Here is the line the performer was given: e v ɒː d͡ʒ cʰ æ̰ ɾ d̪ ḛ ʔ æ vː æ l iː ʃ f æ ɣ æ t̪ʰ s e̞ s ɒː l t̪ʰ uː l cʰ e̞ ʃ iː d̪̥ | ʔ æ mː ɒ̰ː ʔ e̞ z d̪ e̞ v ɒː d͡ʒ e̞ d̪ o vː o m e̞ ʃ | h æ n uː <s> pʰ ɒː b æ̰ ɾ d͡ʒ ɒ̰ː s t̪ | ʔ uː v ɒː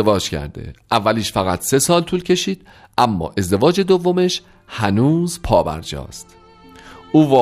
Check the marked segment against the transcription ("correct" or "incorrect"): incorrect